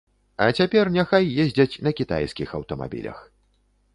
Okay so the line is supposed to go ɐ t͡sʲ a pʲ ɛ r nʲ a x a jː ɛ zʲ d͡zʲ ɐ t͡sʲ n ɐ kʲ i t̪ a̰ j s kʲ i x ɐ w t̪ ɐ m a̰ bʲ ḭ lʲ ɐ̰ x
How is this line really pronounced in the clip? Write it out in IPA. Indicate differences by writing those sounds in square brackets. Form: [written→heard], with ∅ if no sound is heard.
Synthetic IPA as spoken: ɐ t͡sʲ a pʲ ɛ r nʲ a x a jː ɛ zʲ d͡zʲ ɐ t͡sʲ n ɐ kʲ i t̪ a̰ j s kʲ i x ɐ w t̪ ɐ m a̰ bʲ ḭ lʲ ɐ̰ x